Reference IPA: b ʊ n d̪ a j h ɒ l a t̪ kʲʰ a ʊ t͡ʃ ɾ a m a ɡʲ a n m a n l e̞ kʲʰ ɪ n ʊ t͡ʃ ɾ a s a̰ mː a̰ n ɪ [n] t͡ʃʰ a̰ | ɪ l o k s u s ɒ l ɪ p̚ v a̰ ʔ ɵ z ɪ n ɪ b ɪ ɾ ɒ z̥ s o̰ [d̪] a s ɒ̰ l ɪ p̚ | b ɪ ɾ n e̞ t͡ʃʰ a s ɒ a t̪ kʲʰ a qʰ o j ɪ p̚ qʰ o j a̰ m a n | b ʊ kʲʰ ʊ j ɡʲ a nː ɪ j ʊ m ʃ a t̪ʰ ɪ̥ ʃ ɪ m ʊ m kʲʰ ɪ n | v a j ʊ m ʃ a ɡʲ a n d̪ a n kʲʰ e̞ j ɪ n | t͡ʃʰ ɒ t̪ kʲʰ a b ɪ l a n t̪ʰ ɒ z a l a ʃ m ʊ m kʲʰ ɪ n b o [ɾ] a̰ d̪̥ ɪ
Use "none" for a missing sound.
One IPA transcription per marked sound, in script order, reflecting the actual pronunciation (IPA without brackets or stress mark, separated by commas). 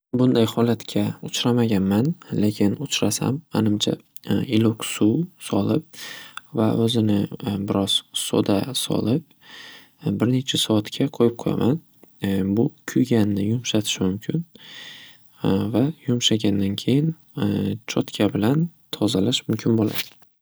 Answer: m, d̪, l